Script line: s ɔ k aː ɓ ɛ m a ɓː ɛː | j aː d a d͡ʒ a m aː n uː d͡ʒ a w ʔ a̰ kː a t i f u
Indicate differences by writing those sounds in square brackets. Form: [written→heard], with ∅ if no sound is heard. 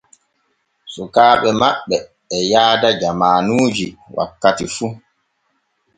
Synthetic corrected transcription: s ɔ k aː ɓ ɛ m a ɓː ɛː | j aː d a d͡ʒ a m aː n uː d͡ʒ [a→i] w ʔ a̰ kː a t i f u

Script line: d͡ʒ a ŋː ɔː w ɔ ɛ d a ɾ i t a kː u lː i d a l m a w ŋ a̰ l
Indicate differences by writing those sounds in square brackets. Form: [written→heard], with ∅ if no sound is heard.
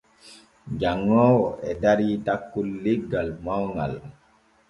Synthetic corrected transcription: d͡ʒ a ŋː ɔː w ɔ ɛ d a ɾ i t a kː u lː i [d→ɡ] a l m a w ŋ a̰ l

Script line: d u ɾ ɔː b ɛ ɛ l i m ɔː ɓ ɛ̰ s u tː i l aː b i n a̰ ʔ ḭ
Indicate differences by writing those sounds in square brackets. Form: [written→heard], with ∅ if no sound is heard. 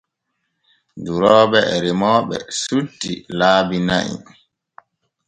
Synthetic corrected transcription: d u ɾ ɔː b ɛ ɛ [l→ɾ] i m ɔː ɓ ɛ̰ s u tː i l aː b i n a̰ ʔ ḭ

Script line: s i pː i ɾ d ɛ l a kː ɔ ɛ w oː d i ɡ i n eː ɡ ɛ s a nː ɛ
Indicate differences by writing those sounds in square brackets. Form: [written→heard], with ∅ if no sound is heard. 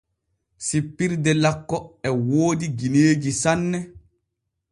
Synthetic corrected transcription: s i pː i ɾ d ɛ l a kː ɔ ɛ w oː d i ɡ i n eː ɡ [ɛ→i] s a nː ɛ

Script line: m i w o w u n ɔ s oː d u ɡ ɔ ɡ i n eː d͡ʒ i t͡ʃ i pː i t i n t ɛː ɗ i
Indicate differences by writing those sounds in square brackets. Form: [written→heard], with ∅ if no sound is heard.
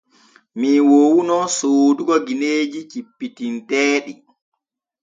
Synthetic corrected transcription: m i w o w u n ɔ s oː d u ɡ ɔ ɡ i n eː d͡ʒ i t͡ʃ i pː i t i n t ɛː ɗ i

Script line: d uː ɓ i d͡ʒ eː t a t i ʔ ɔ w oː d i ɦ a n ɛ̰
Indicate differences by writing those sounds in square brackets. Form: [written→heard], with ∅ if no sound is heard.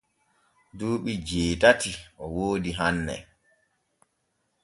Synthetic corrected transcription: d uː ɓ i d͡ʒ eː t a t i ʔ ɔ w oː d i ɦ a [n→nː] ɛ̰

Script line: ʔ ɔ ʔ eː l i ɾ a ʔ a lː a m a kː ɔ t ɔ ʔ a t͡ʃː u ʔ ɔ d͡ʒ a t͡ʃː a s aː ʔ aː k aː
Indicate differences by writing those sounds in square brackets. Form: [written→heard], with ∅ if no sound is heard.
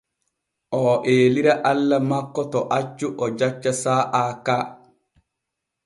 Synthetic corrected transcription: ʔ ɔ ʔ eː l i ɾ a ʔ a lː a m a kː ɔ t ɔ ʔ a t͡ʃː u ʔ ɔ d͡ʒ a t͡ʃː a s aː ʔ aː k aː

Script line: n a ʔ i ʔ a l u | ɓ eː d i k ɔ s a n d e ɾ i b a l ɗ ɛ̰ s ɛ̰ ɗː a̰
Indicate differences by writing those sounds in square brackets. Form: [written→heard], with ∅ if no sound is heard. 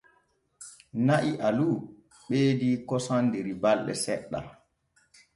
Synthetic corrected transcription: n a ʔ i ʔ a l u | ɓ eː d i k ɔ s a n d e ɾ i b a l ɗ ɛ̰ s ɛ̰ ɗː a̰

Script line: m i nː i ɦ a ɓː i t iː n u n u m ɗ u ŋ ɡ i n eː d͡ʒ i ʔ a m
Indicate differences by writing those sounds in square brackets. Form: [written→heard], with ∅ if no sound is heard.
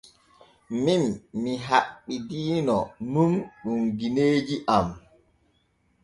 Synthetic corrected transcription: m i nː i ɦ a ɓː i [t→d] iː n [u→ɔ] n u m ɗ u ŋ ɡ i n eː d͡ʒ i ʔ a m

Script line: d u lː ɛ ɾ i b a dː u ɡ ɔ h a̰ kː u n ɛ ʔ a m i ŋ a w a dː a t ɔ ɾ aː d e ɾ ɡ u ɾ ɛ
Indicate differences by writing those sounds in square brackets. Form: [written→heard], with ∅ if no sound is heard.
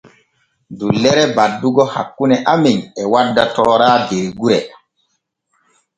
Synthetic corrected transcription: d u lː ɛ ɾ [i→ɛ] b a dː u ɡ ɔ h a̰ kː u n ɛ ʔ a m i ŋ [a→ɛ] w a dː a t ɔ ɾ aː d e ɾ ɡ u ɾ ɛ

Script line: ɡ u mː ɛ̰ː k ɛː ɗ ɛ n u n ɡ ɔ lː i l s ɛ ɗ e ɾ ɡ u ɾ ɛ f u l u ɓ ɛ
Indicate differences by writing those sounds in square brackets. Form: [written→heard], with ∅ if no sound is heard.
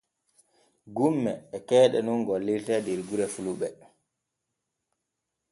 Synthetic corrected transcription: ɡ u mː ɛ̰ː k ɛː ɗ ɛ n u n ɡ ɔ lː i l [s→t] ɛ [ɗ→d] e ɾ ɡ u ɾ ɛ f u l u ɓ ɛ

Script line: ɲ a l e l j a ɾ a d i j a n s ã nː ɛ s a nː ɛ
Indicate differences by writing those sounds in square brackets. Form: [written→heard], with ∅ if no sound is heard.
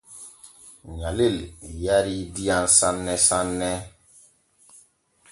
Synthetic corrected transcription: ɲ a l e l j a ɾ [a→i] d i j a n s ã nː ɛ s a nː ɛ

